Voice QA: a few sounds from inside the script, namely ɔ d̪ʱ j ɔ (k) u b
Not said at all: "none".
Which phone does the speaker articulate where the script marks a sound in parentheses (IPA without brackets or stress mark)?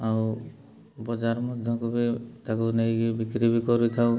k